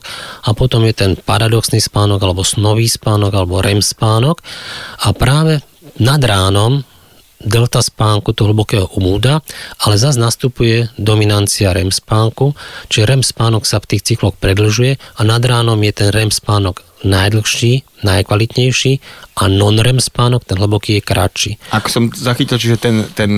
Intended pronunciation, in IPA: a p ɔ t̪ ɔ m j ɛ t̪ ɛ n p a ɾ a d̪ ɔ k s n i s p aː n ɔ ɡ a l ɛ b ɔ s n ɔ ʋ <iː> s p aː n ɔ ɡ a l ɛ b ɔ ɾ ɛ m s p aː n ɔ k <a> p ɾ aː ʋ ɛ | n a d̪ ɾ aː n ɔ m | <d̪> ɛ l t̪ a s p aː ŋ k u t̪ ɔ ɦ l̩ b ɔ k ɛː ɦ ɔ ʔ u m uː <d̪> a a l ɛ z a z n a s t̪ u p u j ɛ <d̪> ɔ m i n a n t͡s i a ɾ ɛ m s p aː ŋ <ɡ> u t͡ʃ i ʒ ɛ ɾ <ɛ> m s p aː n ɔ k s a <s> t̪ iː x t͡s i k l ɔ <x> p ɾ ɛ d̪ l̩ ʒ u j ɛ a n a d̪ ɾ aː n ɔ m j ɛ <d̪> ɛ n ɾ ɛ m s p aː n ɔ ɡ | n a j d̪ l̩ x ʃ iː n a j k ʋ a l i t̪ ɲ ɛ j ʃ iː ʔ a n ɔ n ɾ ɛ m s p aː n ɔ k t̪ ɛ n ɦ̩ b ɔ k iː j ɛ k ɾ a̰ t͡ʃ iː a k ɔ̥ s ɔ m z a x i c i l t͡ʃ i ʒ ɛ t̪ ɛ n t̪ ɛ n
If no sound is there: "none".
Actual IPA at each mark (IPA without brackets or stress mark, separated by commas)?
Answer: iː, a, d̪, d̪, d̪, k, ɛ, f, x, t̪